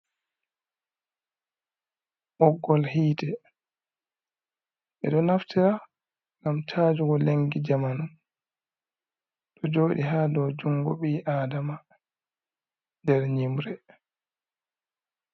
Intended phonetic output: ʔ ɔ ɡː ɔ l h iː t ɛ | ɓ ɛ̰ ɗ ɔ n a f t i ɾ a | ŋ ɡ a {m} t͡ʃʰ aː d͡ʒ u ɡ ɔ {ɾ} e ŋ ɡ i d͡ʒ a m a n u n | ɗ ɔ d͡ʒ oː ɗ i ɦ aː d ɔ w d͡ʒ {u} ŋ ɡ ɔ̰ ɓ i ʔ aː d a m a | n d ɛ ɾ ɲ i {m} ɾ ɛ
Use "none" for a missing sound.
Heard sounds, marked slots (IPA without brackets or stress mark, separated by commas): m, l, u, m